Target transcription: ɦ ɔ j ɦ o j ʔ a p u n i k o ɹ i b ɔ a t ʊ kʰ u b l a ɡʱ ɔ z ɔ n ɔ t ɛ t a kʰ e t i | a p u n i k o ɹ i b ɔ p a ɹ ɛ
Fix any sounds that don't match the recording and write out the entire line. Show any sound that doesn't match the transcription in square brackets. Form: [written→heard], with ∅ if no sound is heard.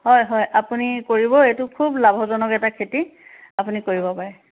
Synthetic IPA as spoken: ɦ ɔ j ɦ [o→ɔ] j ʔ a p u n i k o ɹ i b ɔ [a→e] t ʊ kʰ u b l a [ɡʱ→bʱ] ɔ z ɔ n ɔ [t→k] ɛ t a kʰ e t i | a p u n i k o ɹ i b ɔ p a ɹ ɛ